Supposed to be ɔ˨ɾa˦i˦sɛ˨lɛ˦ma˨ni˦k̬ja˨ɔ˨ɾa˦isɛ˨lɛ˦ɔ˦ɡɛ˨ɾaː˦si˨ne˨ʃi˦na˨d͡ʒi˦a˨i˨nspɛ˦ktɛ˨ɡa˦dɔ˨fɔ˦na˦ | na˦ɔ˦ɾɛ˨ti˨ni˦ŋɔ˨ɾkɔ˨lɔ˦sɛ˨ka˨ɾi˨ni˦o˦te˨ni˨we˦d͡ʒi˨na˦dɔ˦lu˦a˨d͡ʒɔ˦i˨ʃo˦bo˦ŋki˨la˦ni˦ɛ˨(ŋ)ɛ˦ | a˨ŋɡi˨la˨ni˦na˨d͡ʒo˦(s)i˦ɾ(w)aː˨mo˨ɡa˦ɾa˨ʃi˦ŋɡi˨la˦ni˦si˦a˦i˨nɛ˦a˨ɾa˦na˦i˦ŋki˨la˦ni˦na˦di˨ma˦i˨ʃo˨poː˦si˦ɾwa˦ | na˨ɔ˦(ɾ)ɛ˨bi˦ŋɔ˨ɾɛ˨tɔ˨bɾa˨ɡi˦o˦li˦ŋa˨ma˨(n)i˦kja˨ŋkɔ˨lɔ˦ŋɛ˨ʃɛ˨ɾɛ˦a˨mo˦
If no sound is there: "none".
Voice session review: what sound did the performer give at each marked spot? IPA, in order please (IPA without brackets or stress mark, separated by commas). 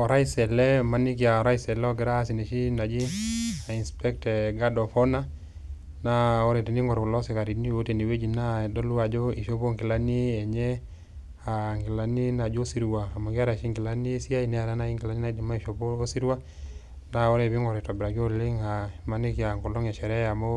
ɲ, s, w, ɾ, n